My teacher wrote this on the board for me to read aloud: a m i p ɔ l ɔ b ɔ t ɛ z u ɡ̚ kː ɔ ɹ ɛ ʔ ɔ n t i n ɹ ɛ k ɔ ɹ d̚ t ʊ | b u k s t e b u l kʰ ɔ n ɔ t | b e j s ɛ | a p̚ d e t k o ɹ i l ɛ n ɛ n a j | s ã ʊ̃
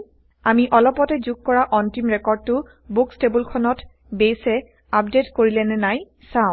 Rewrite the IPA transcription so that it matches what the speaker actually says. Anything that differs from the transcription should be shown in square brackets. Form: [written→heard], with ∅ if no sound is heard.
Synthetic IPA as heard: a m i [p→ʔ] ɔ l ɔ [b→p] ɔ t ɛ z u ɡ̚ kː ɔ ɹ [ɛ→a] ʔ ɔ n t i [n→m] ɹ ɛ k ɔ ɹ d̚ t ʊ | b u k s t e b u l kʰ ɔ n ɔ t | b e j s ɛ | a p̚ d e t k o ɹ i l ɛ n ɛ n a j | s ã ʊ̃